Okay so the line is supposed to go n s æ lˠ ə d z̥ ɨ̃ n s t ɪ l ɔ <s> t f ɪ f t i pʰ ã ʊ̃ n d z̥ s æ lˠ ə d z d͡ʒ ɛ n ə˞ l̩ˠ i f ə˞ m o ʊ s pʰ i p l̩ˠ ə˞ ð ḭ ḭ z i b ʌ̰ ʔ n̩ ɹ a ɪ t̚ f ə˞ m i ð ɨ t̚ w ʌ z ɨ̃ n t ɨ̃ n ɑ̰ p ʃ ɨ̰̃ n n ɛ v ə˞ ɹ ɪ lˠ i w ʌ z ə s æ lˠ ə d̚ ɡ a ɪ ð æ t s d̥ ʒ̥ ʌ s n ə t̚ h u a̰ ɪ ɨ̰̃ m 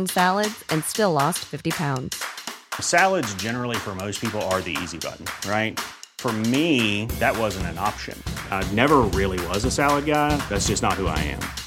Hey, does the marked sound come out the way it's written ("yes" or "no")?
yes